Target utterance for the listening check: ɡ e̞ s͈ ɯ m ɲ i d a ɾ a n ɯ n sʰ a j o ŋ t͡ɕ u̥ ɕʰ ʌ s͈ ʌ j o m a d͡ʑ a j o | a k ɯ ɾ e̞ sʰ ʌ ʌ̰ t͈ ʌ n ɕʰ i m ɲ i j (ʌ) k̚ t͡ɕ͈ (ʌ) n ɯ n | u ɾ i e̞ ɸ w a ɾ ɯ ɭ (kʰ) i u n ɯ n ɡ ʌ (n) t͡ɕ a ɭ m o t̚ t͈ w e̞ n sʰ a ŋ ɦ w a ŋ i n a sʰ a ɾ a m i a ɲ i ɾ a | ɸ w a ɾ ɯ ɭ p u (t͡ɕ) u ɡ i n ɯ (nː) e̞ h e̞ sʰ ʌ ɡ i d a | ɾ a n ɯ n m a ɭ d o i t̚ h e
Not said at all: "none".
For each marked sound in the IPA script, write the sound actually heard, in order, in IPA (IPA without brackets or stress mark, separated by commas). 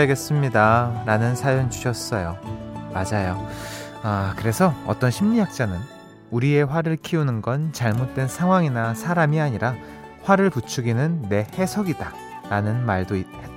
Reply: a, a, kʰ, n, t͡ɕʰ, nː